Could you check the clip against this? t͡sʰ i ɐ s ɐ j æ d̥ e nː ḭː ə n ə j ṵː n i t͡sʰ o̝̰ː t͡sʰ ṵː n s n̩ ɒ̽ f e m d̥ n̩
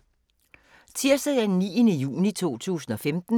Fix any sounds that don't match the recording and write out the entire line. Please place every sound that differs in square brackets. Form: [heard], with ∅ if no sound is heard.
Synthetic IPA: t͡sʰ i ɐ s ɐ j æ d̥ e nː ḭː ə n ə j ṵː n i t͡sʰ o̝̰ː t͡sʰ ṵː [∅] s n̩ ɒ̽ f e m d̥ n̩

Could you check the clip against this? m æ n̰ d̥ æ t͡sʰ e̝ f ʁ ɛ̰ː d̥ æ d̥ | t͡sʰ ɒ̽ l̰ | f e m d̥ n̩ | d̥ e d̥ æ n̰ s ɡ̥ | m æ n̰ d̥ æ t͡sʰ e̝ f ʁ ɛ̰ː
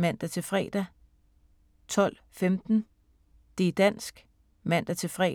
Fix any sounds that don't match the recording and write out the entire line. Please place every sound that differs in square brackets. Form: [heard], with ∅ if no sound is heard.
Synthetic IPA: m æ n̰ d̥ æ t͡sʰ e̝ f ʁ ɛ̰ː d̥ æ [∅] | t͡sʰ ɒ̽ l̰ | f e m d̥ n̩ | d̥ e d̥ æ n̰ s ɡ̥ | m æ n̰ d̥ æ t͡sʰ e̝ f ʁ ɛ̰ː

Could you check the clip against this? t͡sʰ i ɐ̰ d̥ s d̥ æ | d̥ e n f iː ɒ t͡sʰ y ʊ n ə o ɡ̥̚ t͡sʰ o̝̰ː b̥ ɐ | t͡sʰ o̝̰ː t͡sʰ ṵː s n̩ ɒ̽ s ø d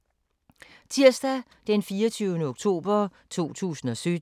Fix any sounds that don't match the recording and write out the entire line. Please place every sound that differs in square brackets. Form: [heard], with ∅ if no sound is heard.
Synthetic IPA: t͡sʰ i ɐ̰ [∅] s d̥ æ | d̥ e n f iː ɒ t͡sʰ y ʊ n ə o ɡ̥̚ t͡sʰ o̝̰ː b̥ ɐ | t͡sʰ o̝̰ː t͡sʰ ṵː s n̩ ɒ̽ s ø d

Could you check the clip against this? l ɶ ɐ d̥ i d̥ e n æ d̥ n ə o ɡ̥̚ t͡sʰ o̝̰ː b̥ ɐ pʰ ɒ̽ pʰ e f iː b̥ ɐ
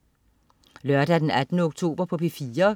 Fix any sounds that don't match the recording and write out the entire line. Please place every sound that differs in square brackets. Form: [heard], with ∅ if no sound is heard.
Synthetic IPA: l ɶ ɐ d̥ [æ] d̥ e n æ d̥ n ə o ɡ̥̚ t͡sʰ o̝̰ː b̥ ɐ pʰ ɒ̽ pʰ e f iː [∅] ɐ

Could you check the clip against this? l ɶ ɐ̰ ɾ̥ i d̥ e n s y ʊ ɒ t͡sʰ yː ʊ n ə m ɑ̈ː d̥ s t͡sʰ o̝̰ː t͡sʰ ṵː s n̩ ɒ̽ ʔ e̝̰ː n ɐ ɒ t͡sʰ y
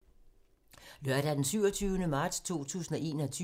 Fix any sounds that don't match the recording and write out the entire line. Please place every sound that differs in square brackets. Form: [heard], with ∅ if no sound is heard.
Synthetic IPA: l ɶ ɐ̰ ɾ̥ [æ] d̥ e n s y ʊ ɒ t͡sʰ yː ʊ n ə m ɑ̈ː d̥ s t͡sʰ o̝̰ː t͡sʰ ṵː s n̩ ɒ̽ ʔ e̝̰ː n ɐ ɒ t͡sʰ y

